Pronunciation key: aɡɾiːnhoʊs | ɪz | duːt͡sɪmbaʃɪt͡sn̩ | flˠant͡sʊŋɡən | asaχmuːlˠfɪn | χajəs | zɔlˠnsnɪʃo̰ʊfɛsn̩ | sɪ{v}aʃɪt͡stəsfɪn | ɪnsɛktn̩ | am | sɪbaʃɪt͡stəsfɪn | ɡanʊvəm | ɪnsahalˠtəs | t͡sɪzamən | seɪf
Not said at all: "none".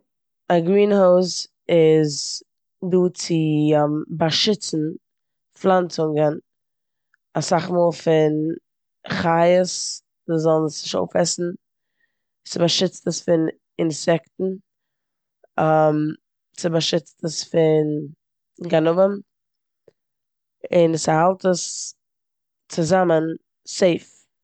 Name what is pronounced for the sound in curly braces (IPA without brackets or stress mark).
b